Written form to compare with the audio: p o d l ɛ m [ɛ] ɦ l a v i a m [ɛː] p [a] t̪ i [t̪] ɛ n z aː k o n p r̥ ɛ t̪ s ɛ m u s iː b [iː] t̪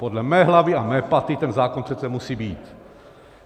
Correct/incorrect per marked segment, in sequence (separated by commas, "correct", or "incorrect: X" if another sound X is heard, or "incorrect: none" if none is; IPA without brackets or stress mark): incorrect: ɛː, correct, correct, correct, correct